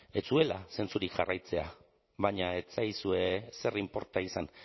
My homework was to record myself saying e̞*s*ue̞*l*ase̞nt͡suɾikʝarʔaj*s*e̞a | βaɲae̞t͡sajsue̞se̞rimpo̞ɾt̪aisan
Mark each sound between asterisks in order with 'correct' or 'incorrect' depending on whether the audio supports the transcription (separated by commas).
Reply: incorrect, correct, incorrect